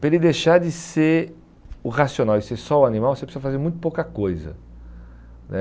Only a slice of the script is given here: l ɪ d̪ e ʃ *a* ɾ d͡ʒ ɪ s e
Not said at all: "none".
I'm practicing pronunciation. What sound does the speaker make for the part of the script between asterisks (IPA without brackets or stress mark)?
a